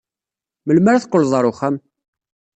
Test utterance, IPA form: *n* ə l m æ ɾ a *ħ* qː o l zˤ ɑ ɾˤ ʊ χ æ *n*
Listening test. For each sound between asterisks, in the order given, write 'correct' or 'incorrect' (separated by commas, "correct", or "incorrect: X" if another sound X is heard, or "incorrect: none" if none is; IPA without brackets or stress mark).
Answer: incorrect: m, incorrect: θ, incorrect: m